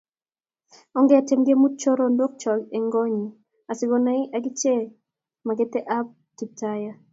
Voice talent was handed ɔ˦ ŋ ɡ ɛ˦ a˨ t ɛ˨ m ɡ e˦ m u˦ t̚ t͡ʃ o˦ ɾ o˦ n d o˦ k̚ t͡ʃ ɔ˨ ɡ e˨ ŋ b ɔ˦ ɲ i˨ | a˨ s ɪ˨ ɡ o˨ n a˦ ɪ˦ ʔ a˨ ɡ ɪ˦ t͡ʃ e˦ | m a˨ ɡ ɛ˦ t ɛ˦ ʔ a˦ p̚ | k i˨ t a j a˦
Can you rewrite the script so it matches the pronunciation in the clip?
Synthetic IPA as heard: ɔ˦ ŋ ɡ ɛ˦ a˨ t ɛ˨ m ɡ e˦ m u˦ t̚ t͡ʃ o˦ ɾ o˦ n d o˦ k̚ t͡ʃ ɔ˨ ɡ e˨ ŋ ɡ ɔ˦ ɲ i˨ | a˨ s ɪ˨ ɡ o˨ n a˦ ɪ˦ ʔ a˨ ɡ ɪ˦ t͡ʃ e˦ | m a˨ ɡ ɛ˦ t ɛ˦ ʔ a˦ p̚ | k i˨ t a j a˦